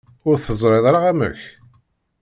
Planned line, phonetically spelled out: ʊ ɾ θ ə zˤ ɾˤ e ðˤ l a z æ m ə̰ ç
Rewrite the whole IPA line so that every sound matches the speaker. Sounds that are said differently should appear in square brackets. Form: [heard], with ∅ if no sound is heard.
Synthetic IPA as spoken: ʊ ɾ θ ə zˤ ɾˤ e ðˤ [ɾ] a [ʁ] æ m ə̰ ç